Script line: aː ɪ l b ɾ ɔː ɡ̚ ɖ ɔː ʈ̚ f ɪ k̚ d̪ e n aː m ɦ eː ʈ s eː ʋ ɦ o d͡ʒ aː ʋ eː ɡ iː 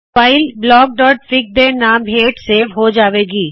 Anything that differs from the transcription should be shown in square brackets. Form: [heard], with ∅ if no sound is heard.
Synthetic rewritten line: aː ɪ l b [l] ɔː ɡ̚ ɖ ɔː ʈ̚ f ɪ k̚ d̪ e n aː m ɦ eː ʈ s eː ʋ ɦ o d͡ʒ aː ʋ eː ɡ iː